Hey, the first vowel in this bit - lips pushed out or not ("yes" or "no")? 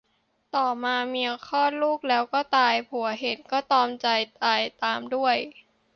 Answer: yes